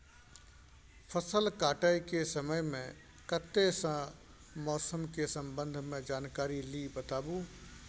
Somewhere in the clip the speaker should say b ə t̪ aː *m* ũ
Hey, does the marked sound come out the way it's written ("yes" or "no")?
no